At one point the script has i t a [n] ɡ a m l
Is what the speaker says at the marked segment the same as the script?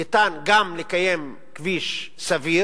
yes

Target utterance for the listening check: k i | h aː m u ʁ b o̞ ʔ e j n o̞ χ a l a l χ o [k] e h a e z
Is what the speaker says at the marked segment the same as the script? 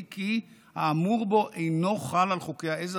yes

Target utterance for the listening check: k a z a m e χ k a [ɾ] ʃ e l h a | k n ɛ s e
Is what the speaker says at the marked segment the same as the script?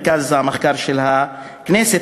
yes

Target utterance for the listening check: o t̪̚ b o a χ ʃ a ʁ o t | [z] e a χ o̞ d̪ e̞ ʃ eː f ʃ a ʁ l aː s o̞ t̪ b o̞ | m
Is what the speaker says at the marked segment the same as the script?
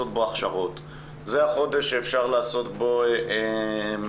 yes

